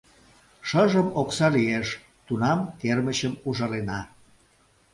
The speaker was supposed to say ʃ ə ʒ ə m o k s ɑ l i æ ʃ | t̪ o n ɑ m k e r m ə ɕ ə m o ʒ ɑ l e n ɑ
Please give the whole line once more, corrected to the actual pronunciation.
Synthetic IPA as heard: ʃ ə ʒ ə m o k s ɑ l i e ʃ | t̪ u n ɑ m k e r m ə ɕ ə m u ʒ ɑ l e n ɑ

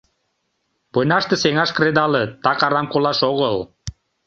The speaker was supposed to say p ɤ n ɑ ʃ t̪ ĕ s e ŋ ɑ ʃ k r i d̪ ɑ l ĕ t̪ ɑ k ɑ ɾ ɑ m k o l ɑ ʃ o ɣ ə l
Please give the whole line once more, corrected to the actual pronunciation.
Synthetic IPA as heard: p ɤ n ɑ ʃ t̪ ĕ s e ŋ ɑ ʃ k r e d̪ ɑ l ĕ t̪ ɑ k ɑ ɾ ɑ m k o l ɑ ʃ o ɣ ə l

